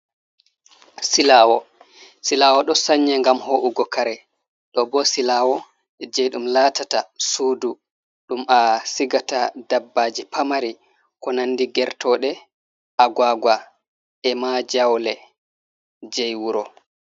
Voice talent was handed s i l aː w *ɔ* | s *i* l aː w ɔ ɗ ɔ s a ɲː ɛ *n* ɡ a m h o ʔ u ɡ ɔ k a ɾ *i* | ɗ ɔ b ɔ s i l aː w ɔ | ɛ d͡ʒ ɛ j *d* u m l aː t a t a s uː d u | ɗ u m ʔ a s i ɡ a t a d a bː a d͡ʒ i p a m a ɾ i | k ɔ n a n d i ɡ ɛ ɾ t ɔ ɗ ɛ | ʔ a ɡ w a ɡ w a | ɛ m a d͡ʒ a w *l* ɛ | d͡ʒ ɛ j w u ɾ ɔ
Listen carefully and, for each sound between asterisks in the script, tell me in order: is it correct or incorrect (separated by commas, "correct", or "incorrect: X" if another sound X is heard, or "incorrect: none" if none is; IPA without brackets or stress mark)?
correct, correct, incorrect: ŋ, incorrect: ɛ, incorrect: ɗ, correct